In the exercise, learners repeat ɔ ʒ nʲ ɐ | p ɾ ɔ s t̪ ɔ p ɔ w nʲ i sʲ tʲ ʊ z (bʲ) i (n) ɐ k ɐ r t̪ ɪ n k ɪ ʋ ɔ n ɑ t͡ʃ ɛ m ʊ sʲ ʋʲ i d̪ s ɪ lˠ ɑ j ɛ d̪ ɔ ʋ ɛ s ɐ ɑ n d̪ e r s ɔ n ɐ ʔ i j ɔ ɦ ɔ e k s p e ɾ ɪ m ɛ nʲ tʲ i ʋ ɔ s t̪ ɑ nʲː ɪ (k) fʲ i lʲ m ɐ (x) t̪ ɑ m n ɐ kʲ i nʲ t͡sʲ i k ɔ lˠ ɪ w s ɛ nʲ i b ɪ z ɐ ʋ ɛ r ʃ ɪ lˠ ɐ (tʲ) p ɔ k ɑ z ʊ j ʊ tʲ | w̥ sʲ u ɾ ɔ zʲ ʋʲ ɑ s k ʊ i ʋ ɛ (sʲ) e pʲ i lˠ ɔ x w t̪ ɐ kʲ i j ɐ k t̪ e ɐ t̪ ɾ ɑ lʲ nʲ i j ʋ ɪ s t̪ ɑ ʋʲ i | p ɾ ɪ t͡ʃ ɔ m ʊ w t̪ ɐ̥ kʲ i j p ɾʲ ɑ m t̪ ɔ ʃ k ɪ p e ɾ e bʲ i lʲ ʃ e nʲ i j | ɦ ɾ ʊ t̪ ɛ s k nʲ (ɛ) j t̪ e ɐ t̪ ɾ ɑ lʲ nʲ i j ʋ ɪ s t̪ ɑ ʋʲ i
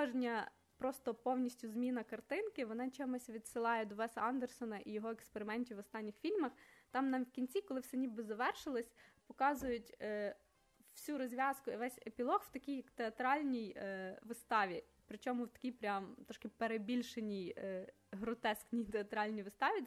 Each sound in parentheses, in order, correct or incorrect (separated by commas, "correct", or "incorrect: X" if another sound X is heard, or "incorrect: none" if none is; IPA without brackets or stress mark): incorrect: mʲ, correct, incorrect: x, correct, incorrect: sʲ, correct, incorrect: i